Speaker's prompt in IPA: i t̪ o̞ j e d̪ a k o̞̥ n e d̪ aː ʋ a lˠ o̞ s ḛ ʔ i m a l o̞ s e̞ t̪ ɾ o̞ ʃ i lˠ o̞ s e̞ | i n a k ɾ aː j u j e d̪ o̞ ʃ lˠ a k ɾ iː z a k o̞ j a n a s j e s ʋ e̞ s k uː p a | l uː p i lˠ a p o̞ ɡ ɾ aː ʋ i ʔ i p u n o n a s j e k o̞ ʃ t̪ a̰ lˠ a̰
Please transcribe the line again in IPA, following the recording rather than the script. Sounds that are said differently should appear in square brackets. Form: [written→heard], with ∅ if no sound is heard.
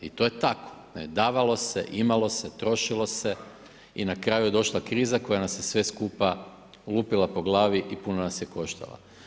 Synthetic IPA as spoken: i t̪ o̞ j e [d̪→t̪] a k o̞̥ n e d̪ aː ʋ a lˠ o̞ s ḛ ʔ i m a l o̞ s e̞ t̪ ɾ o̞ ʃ i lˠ o̞ s e̞ | i n a k ɾ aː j u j e d̪ o̞ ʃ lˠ a k ɾ iː z a k o̞ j a n a s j e s ʋ e̞ s k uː p a | l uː p i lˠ a p o̞ ɡ [ɾ→l] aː ʋ i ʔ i p u n o n a s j e k o̞ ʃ t̪ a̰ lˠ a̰